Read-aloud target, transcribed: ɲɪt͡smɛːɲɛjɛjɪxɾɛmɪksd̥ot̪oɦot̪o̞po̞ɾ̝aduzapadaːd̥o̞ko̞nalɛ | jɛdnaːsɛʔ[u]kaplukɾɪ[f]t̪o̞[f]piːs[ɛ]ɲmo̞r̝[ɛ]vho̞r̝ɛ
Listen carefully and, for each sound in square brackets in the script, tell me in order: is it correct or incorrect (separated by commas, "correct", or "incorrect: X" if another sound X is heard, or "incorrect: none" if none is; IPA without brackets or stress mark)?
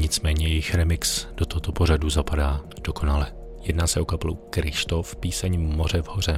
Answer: incorrect: o, incorrect: ʃ, correct, correct, correct